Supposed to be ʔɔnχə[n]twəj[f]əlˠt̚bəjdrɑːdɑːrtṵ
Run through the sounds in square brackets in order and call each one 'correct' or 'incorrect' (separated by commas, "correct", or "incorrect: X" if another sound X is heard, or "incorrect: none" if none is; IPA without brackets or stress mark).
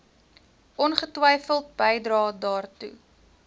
incorrect: none, correct